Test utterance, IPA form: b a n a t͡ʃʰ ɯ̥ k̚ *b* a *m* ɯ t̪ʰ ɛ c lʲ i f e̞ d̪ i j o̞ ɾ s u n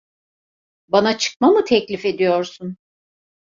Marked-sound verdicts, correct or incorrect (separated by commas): incorrect, correct